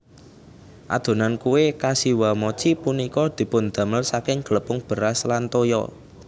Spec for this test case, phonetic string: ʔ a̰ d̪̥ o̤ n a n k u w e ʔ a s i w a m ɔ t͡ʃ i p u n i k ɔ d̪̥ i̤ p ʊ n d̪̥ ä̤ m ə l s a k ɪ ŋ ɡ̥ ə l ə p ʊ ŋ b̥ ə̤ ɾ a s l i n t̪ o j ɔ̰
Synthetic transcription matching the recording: ʔ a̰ d̪̥ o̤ n a n k u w e k a s i w a m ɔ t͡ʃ i p u n i k ɔ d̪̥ i̤ p ʊ n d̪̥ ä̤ m ə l s a k ɪ ŋ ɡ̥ ə l ə p ʊ ŋ b̥ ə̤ ɾ a s l a n t̪ o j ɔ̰